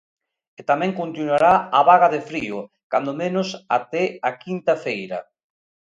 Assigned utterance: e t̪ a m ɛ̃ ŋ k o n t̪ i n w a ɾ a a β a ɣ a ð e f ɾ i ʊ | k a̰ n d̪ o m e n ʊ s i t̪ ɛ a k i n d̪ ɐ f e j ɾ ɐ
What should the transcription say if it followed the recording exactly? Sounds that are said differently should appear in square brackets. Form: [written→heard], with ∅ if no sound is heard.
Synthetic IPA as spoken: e t̪ a m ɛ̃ ŋ k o n t̪ i n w a ɾ a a β a ɣ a ð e f ɾ i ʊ | k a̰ n d̪ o m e n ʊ s [i→a] t̪ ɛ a k i n [d̪→t̪] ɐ f e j ɾ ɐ